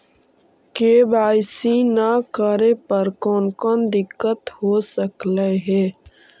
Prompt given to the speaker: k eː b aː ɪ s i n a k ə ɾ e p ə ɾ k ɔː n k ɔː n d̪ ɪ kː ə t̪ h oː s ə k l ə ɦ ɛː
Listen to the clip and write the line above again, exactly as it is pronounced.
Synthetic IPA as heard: k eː b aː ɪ s i n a k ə ɾ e p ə ɾ k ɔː n k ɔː n d̪ ɪ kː ə t̪ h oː s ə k l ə ɦ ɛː